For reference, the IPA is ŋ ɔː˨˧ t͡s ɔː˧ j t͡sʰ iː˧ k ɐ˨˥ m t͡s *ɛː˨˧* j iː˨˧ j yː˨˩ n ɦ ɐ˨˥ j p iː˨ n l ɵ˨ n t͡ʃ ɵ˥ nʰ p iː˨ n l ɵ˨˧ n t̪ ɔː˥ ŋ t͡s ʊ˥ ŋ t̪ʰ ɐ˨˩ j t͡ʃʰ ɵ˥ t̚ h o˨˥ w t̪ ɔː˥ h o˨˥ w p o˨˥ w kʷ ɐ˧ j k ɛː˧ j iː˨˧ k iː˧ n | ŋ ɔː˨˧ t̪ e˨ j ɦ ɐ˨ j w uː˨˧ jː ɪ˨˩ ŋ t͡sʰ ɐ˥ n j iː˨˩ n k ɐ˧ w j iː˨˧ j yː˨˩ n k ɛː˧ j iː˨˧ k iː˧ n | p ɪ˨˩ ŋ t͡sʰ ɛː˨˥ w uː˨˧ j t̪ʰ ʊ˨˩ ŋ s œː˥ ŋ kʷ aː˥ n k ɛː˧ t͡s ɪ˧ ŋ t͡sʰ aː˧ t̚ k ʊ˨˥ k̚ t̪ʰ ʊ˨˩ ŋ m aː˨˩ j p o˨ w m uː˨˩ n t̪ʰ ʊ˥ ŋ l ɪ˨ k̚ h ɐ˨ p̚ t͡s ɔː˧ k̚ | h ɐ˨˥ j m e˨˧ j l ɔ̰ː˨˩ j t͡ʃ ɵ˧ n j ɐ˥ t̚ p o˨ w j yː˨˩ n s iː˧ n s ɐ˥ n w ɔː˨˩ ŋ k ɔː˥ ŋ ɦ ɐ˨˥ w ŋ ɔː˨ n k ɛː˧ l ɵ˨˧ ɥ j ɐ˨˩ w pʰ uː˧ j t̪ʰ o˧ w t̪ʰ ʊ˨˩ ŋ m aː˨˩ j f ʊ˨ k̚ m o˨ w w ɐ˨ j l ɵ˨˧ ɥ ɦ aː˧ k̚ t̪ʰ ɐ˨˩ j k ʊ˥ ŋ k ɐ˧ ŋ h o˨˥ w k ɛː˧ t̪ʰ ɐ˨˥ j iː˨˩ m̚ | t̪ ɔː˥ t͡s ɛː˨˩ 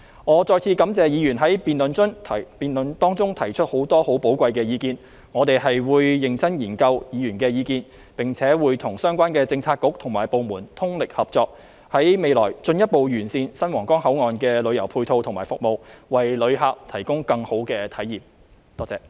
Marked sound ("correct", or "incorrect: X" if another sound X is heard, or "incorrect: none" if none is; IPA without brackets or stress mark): correct